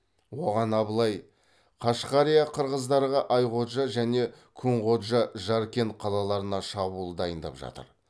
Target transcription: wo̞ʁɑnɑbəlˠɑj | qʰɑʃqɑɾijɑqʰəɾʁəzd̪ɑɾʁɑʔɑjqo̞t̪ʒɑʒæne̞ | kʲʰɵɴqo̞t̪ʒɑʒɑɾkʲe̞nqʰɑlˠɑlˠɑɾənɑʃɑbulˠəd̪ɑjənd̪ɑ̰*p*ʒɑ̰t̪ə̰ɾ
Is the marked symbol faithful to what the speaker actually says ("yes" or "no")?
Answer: yes